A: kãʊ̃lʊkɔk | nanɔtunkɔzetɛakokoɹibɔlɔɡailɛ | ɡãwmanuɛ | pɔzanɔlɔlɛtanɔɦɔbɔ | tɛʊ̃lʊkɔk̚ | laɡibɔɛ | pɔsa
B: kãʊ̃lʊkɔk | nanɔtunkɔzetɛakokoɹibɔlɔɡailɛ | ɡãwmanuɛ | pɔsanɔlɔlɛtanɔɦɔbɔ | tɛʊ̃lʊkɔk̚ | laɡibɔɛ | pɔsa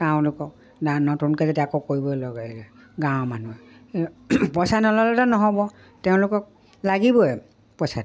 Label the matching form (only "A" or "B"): B